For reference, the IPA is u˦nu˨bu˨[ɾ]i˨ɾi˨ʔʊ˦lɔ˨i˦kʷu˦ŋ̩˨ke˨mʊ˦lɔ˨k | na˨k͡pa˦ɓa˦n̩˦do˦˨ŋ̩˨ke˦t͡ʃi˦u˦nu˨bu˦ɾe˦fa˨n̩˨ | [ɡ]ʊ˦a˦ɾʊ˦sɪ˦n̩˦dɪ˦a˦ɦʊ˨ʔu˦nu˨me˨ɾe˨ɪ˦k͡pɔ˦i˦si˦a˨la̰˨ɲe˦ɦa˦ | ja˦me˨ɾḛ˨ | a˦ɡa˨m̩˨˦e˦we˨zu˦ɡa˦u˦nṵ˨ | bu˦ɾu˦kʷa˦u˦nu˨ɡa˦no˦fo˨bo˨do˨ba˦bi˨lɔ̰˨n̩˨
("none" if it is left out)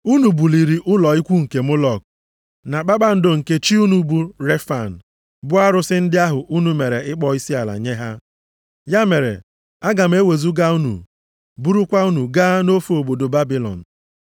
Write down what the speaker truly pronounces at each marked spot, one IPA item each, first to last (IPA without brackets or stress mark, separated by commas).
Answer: l, b